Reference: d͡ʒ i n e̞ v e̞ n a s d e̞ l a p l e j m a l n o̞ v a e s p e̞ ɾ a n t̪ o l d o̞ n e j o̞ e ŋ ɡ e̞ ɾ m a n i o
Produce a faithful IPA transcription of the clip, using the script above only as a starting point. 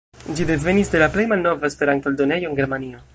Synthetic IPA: d͡ʒ i d e̞ v e̞ n i s d e̞ l a p l e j m a l n o̞ v a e s p e̞ ɾ a n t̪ o l d o̞ n e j o̞ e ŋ ɡ e̞ ɾ m a n i o